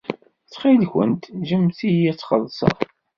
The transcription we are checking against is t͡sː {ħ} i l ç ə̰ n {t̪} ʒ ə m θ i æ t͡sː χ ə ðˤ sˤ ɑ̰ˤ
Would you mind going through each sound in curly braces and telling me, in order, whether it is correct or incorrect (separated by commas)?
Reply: incorrect, correct